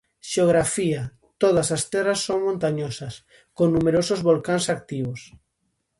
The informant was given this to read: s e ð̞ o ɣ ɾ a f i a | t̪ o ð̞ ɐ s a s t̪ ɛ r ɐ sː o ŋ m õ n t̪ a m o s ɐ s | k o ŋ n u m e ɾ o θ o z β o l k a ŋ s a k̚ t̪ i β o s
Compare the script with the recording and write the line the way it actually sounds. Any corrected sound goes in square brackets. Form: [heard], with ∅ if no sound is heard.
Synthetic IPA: [ʃ] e [∅] o ɣ ɾ a f i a | t̪ o ð̞ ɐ s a s t̪ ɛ r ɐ sː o ŋ m õ n t̪ a [ɲ] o s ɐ s | k o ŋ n u m e ɾ o [s] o z β o l k a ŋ s a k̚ t̪ i β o s

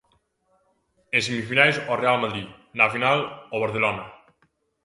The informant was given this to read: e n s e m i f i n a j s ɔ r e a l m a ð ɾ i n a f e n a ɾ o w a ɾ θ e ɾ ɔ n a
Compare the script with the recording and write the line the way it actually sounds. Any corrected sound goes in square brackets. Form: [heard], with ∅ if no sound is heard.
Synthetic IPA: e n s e m i f i n a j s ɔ r e a l m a ð ɾ i n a f [i] n a [l] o [β] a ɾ θ e [l] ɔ n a

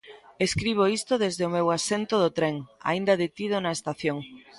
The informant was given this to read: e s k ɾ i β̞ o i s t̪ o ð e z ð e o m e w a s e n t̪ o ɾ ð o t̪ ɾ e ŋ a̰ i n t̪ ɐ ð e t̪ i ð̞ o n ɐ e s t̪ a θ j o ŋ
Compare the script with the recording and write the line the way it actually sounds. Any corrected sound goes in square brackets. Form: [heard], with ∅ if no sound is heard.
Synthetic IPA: e s k ɾ i β̞ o i s t̪ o ð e z ð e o m e w a s e n t̪ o [∅] ð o t̪ ɾ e ŋ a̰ i n [d̪] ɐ ð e t̪ i ð̞ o n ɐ e s t̪ a θ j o ŋ

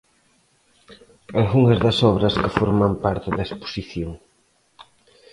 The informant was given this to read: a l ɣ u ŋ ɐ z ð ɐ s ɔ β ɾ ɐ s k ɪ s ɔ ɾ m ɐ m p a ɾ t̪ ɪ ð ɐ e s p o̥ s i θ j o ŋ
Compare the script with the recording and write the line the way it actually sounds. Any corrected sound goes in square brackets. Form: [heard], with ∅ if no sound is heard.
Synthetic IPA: a l ɣ u ŋ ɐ z ð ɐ s ɔ β ɾ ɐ s k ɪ [f] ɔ ɾ m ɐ m p a ɾ t̪ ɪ ð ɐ e s p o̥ s i θ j o ŋ

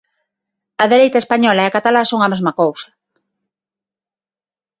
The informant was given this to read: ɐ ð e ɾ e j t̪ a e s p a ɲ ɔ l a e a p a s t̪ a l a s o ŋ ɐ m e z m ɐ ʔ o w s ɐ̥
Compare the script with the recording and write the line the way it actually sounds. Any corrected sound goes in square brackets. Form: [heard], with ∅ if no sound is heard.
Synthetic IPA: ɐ ð e ɾ e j t̪ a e s p a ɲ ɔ l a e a [k] a [∅] t̪ a l a s o ŋ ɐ m e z m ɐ [k] o w s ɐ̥

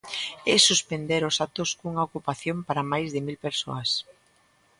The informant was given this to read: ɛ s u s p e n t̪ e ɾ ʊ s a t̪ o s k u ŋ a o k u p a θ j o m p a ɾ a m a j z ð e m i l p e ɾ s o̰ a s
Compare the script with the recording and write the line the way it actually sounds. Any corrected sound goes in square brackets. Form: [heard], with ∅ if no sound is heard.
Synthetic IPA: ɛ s u s p e n [d̪] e ɾ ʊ s a t̪ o s k u ŋ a o k u p a θ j o m p a ɾ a m a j z ð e m i l p e ɾ s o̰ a s

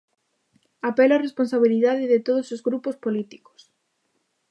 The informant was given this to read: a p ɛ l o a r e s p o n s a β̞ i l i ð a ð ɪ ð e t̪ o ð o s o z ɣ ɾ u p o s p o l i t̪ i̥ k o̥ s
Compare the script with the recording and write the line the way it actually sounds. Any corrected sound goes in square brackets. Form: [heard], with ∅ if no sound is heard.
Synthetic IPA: a p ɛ l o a r e s p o n s a β̞ i l i ð a ð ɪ ð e t̪ o ð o s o z ɣ ɾ u p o s p o l i t̪ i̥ k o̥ s

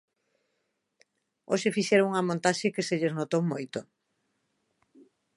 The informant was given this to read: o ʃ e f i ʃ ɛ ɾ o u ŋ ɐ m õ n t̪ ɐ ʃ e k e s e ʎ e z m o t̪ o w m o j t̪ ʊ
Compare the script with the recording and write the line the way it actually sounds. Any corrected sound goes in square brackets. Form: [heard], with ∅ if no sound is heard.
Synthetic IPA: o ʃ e f i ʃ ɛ ɾ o u ŋ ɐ m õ n t̪ [a] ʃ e k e s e ʎ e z [n] o t̪ o w m o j t̪ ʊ

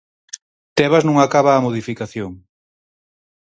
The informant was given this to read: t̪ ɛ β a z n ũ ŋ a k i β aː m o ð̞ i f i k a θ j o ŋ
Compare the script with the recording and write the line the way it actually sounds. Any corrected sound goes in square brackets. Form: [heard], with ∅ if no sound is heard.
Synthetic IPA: t̪ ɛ β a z n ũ ŋ a k [a] β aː m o ð̞ i f i k a θ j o ŋ

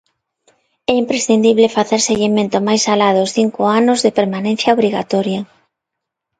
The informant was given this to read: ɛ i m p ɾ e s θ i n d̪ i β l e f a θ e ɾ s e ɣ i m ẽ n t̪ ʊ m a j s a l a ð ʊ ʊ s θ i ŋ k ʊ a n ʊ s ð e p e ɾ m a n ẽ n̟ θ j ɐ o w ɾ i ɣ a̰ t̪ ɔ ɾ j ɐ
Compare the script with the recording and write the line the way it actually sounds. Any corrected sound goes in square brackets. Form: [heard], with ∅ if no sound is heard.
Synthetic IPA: ɛ i m p ɾ e s θ i n d̪ i β l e f a θ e ɾ s e ɣ i m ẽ n t̪ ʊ m a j s a l a ð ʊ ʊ s θ i ŋ k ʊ a n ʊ [z] ð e p e ɾ m a n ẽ n̟ θ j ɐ o [β] ɾ i ɣ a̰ t̪ ɔ ɾ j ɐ

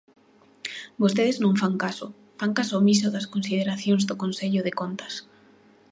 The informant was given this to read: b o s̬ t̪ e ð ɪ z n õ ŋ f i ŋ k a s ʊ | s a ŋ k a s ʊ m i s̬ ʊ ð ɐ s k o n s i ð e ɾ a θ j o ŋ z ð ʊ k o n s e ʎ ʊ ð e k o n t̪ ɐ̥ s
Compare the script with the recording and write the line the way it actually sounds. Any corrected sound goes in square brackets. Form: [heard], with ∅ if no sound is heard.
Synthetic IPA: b o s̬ t̪ e ð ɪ z n õ ŋ f [a] ŋ k a s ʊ | [f] a ŋ k a s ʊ m i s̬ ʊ ð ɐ s k o n s i ð e ɾ a θ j o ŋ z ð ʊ k o n s e ʎ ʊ ð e k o n t̪ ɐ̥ s

